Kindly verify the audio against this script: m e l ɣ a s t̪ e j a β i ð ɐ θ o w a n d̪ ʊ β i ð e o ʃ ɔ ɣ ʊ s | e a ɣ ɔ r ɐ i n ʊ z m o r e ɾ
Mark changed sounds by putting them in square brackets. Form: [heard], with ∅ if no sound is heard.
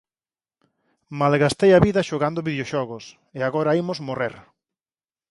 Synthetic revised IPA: m [a] l ɣ a s t̪ e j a β i ð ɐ [ʃ] o [ɣ] a n d̪ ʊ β i ð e o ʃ ɔ ɣ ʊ s | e a ɣ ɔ [ɾ] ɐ i [m] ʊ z m o r e ɾ